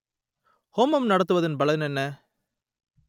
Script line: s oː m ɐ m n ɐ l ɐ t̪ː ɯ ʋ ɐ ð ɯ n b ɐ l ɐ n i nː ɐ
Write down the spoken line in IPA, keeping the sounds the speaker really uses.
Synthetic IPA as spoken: h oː m ɐ m n ɐ ɽ ɐ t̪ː ɯ ʋ ɐ ð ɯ n b ɐ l ɐ n ɛ nː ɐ